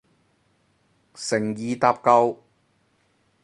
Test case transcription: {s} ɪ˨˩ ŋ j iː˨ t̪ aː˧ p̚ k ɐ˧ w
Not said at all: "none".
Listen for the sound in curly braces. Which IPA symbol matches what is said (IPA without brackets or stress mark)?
s